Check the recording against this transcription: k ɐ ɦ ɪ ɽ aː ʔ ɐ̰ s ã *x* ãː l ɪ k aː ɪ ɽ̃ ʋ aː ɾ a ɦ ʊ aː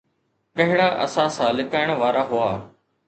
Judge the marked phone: incorrect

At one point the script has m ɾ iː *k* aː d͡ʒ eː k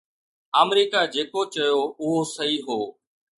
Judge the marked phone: correct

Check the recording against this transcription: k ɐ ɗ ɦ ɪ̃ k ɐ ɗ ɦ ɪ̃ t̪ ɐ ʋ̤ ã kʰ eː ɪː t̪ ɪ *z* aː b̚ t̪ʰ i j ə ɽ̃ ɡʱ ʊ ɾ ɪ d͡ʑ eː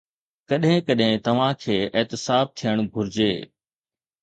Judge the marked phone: incorrect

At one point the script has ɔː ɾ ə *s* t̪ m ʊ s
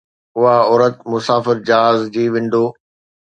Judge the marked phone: incorrect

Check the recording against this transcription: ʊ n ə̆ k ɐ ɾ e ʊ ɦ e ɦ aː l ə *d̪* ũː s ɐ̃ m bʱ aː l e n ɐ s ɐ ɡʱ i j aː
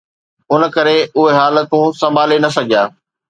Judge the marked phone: incorrect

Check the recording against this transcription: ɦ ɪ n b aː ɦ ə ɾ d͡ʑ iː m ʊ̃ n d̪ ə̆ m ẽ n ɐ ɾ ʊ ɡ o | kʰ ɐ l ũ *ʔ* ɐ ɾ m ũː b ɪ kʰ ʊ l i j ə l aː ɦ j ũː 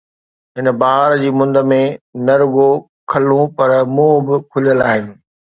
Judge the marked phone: incorrect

